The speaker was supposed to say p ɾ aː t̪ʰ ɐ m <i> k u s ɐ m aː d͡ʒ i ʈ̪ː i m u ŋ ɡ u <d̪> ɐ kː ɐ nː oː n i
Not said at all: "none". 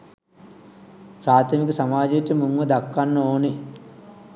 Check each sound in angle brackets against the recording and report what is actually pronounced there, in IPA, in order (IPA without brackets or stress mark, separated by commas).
i, d̪